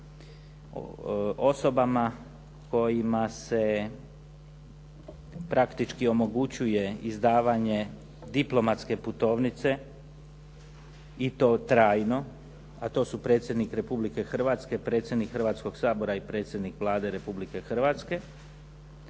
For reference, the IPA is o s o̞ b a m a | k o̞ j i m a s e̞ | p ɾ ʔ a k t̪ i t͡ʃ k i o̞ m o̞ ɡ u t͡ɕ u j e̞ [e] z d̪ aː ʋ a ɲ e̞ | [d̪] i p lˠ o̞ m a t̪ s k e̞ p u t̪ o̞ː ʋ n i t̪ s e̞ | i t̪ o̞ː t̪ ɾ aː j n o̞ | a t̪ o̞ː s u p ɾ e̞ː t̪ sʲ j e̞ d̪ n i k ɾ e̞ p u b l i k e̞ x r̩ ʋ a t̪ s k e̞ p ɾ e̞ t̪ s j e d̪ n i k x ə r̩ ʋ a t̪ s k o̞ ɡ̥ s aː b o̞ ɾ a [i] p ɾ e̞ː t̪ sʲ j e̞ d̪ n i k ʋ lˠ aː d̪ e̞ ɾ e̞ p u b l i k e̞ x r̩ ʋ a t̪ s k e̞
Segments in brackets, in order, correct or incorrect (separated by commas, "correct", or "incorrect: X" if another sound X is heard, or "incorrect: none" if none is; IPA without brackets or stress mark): incorrect: i, correct, correct